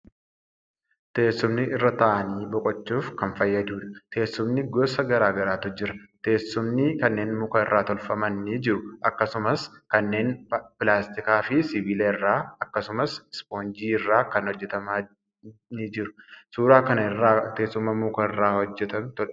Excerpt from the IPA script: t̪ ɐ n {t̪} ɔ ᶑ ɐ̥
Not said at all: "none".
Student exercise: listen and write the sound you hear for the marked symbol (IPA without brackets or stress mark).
t̪